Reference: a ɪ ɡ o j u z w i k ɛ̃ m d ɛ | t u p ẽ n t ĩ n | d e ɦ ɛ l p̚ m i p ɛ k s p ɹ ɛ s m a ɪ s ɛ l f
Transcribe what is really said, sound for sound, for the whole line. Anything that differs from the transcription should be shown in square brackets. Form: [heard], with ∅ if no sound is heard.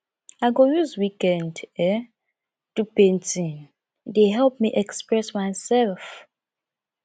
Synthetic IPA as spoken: a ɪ ɡ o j u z w i k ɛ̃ [n] d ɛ | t u p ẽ n t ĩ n | d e ɦ ɛ l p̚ m i [ʔ] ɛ k s p ɹ ɛ s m a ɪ s ɛ l f